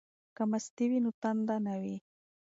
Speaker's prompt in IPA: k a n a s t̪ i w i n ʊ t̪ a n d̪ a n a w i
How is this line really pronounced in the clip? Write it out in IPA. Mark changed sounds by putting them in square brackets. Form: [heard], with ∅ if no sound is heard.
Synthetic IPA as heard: k a [m] a s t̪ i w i n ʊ t̪ a n d̪ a n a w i